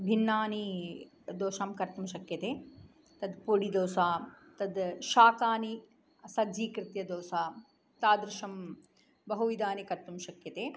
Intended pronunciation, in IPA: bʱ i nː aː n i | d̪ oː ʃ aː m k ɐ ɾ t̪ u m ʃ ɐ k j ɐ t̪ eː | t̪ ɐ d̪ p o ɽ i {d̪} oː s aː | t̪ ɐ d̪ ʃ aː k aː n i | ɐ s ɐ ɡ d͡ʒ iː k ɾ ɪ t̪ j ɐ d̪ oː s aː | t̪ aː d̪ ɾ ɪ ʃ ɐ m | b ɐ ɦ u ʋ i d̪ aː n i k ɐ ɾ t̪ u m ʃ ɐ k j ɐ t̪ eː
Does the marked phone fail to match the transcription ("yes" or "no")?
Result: no